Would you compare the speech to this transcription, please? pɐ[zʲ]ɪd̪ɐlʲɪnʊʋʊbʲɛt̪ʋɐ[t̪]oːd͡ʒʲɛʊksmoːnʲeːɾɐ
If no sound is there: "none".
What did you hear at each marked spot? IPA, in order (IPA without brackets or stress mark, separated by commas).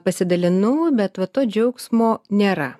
sʲ, t̪